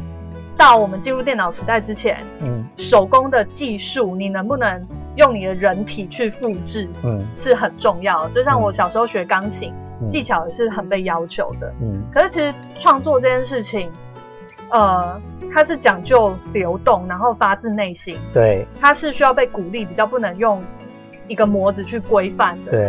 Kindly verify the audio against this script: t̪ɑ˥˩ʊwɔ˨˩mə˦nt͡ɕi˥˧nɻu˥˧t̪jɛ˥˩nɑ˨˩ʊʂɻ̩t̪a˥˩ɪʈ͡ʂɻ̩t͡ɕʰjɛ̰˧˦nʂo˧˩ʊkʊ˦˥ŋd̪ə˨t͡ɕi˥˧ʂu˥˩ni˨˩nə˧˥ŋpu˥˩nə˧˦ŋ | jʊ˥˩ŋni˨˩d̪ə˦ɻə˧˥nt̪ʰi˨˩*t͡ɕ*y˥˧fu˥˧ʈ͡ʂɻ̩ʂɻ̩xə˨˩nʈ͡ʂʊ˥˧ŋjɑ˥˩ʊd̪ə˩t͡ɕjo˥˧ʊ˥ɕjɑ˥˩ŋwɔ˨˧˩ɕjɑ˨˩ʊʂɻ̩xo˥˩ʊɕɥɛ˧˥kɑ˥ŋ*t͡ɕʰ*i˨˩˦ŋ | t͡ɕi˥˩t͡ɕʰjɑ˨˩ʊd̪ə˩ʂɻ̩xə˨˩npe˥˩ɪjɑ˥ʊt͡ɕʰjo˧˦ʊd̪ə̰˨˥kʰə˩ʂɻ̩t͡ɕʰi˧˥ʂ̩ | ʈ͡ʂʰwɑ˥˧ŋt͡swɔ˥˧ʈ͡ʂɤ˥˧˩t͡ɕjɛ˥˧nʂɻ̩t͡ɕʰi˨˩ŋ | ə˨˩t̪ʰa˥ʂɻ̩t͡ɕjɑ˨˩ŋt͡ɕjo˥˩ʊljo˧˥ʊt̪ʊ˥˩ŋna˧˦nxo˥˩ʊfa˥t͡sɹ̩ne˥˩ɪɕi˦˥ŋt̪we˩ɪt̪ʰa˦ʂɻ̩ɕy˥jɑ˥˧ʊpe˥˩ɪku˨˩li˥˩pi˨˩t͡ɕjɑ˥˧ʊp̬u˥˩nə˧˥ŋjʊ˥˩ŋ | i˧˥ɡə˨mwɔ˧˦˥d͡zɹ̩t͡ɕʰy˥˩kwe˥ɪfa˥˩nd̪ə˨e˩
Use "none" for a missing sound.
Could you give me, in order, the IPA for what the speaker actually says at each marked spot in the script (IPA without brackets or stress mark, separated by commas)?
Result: t͡ɕʰ, t͡ɕʰ